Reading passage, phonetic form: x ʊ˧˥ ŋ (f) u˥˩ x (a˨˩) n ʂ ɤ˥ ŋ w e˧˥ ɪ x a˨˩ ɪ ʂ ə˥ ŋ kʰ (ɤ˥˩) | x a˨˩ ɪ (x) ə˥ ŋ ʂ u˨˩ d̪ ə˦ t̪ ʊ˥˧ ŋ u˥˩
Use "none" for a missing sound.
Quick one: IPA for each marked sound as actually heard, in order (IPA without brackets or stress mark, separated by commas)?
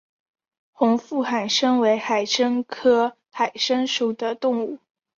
f, a˨˩, ɤ˥, ʂ